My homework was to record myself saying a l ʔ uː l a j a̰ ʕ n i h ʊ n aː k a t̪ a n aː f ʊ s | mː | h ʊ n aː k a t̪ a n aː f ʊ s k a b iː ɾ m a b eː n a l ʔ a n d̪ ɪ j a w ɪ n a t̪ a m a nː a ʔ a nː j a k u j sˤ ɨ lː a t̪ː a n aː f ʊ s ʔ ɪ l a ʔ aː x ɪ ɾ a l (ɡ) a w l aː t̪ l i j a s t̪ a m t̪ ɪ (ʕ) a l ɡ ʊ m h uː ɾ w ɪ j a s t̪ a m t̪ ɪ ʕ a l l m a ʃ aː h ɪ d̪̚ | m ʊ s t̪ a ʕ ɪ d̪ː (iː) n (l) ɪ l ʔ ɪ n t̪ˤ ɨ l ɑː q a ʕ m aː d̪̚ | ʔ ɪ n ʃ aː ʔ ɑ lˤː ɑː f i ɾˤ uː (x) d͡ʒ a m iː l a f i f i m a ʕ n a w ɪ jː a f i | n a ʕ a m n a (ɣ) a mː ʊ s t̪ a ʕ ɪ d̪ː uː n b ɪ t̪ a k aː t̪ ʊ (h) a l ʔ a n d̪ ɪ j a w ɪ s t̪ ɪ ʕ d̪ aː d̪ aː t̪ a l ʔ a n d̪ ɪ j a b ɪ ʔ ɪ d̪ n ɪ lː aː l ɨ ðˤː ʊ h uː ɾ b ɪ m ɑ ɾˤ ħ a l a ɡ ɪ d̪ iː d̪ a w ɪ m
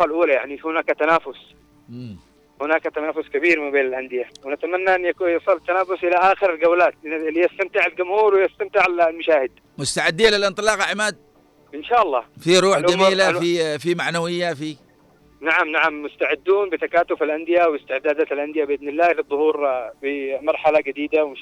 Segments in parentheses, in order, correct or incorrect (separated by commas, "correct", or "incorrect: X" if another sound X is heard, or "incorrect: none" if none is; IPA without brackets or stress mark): correct, correct, correct, correct, incorrect: ħ, incorrect: ʕ, incorrect: f